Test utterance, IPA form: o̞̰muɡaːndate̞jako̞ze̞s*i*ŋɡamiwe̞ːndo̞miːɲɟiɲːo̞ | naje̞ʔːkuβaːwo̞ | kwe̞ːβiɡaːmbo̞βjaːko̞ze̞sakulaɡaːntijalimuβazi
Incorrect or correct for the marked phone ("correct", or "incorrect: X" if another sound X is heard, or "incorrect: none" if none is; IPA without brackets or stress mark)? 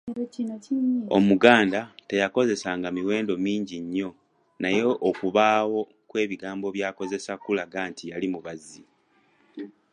incorrect: a